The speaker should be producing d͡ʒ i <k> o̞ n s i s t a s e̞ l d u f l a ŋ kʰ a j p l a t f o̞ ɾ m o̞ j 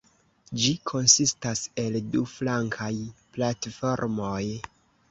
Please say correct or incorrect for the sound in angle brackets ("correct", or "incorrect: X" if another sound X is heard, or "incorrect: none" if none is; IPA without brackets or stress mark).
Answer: incorrect: kʰ